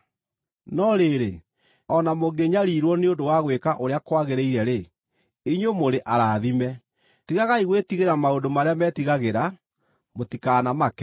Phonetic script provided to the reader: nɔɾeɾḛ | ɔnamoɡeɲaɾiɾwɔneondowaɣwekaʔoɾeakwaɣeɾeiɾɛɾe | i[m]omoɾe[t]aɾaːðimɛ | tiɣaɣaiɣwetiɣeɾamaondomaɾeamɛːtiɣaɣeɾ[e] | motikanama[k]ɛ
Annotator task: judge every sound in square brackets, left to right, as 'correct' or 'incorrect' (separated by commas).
incorrect, incorrect, incorrect, correct